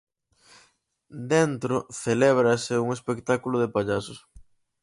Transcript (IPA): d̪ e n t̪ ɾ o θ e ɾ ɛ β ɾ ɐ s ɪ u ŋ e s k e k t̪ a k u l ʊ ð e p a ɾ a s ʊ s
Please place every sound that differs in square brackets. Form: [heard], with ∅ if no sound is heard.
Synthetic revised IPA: d̪ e n t̪ ɾ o θ e [l] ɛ β ɾ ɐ s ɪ u ŋ e s [p] e k t̪ a k u l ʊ ð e p a [ʎ] a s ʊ s